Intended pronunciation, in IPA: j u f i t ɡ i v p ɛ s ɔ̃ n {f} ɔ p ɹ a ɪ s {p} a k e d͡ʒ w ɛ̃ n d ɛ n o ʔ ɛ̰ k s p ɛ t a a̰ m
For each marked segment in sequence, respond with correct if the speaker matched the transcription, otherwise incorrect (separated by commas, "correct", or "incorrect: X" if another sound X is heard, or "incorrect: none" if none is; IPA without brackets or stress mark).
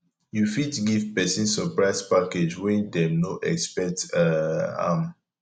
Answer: incorrect: s, correct